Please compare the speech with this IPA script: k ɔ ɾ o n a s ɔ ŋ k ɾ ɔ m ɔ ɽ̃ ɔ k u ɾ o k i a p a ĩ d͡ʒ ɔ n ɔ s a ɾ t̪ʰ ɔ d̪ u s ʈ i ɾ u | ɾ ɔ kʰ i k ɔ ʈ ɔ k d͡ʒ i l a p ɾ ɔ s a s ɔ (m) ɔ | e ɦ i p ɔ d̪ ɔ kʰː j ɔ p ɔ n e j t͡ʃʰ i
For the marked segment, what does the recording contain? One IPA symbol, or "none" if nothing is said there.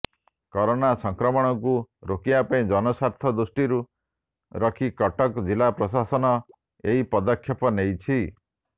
n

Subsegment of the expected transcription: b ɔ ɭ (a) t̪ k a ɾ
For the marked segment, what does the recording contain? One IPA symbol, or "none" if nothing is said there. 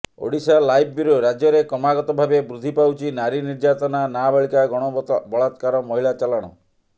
a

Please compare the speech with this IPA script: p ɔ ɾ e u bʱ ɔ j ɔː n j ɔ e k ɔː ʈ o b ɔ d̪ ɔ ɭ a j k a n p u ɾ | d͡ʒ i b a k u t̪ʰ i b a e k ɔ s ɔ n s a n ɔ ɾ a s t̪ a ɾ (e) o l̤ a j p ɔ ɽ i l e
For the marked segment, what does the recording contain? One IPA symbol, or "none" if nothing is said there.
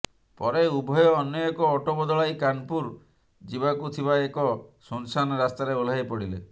e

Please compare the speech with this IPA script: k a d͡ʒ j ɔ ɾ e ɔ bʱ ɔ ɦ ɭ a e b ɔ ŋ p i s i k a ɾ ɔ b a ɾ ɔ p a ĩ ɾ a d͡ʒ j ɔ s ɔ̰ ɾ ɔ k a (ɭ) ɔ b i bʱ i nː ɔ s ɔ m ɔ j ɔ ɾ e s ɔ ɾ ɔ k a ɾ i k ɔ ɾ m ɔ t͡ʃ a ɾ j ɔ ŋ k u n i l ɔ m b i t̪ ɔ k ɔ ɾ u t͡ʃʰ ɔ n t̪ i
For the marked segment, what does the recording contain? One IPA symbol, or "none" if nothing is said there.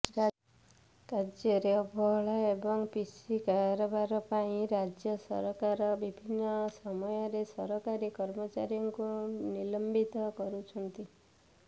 ɾ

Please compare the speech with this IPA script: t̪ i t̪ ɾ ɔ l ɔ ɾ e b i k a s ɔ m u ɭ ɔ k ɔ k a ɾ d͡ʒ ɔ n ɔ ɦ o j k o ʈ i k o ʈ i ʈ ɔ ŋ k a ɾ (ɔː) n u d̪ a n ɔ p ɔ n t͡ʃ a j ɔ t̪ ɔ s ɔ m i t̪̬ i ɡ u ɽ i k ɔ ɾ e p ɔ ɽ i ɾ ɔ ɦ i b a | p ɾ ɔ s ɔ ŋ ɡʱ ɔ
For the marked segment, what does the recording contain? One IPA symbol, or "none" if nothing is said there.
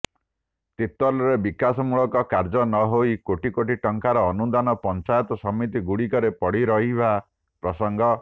ɔː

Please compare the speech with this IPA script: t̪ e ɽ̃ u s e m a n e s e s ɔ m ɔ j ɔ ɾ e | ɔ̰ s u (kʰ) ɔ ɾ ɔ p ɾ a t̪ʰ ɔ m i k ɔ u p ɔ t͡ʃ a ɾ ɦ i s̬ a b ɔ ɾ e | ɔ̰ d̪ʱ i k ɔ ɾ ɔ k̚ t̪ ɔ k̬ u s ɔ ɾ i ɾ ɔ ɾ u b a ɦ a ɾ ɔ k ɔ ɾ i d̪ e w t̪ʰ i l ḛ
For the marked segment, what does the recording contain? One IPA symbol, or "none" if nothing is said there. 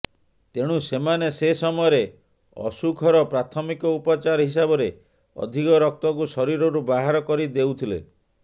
kʰ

